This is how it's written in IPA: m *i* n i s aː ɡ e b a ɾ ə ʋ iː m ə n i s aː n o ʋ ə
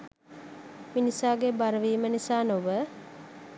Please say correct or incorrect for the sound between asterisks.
correct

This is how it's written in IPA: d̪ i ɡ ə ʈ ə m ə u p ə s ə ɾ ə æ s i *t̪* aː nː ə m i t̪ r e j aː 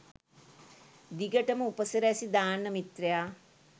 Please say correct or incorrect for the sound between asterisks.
incorrect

